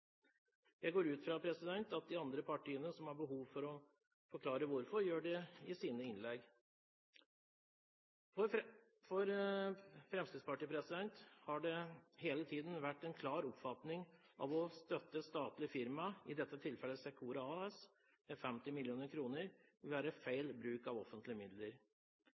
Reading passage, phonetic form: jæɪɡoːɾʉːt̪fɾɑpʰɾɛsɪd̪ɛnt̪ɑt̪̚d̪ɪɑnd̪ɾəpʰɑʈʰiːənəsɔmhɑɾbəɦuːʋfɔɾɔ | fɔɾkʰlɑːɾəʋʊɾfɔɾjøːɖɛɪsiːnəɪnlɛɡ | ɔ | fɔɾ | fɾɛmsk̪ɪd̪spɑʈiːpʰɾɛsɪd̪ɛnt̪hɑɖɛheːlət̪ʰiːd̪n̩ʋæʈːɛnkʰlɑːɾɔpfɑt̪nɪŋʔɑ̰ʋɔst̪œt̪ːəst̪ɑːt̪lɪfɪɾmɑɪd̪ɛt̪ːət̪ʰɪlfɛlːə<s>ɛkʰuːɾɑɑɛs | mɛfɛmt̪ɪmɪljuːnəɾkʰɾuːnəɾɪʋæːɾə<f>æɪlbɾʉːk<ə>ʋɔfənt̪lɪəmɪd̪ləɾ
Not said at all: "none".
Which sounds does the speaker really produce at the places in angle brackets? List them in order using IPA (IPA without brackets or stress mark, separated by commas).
s, f, ɑ